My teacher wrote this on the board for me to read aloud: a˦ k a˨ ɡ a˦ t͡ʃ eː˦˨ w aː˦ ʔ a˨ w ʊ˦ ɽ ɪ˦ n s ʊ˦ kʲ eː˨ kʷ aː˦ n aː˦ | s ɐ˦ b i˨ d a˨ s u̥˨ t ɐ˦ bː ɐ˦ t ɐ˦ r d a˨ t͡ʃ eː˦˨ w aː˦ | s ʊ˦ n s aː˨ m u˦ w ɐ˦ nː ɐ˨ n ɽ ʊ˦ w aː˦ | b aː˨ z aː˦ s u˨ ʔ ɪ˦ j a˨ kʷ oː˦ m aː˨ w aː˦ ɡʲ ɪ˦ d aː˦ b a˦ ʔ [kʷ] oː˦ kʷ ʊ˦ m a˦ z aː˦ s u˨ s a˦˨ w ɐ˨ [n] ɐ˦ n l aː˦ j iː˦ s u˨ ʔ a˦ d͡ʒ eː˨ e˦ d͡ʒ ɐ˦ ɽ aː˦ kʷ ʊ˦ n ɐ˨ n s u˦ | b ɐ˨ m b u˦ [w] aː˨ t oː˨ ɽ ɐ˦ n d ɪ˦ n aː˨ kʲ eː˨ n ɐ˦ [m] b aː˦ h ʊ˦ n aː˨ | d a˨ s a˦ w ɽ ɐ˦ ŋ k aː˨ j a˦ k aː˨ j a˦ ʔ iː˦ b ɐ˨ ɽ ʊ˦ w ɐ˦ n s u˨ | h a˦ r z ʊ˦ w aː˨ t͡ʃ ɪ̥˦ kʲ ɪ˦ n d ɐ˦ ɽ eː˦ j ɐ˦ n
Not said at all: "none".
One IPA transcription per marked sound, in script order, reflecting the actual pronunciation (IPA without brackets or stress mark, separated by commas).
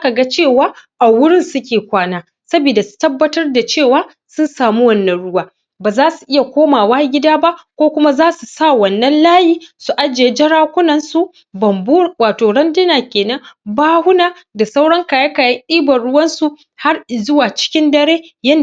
kʷ, nː, w, ŋ